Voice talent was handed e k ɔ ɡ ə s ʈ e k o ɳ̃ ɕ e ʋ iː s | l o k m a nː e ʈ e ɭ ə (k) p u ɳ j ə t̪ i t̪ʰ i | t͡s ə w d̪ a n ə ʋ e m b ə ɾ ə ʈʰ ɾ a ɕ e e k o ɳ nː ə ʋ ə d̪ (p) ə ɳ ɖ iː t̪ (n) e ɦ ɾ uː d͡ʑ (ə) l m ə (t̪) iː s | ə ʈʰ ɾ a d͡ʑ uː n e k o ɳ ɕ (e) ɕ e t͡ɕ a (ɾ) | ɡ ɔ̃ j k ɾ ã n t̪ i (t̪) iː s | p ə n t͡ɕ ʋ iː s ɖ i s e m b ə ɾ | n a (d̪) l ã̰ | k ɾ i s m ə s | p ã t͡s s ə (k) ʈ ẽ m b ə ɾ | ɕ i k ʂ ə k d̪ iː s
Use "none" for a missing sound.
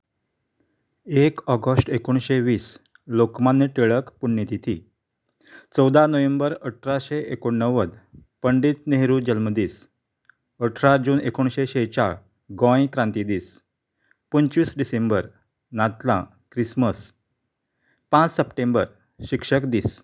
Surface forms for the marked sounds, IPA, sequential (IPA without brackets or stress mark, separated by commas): k, p, n, ə, d̪, e, ɭ, d̪, t̪, p